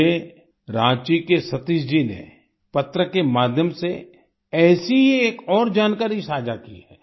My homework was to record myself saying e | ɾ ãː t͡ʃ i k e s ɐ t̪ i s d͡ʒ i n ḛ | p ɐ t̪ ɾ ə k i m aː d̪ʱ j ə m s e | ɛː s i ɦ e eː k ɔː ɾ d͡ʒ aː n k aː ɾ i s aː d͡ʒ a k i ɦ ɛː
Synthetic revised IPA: e | ɾ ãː t͡ʃ i k e s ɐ t̪ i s d͡ʒ i n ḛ | p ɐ t̪ ɾ ə k e m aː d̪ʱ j ə m s e | ɛː s i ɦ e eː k ɔː ɾ d͡ʒ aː n k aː ɾ i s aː d͡ʒ a k i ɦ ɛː